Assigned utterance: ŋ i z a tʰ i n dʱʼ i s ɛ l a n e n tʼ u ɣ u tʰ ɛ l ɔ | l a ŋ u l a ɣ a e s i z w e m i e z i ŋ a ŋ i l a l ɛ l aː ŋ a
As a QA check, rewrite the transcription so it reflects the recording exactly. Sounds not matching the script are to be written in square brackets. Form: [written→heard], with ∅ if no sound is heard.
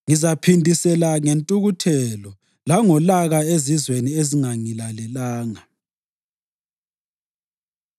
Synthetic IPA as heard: ŋ i z a [tʰ→pʰ] i n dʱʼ i s ɛ l a [n→ŋ] e n tʼ u ɣ u tʰ ɛ l ɔ | l a ŋ [u→ɔ] l a ɣ a e [s→z] i z w e [m→n] i e z i ŋ a ŋ i l a l ɛ l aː ŋ a